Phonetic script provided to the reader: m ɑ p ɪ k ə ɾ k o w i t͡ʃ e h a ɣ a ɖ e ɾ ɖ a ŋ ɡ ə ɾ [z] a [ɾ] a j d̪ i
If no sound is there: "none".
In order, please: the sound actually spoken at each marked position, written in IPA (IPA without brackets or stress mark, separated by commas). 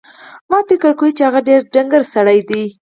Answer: s, ɽ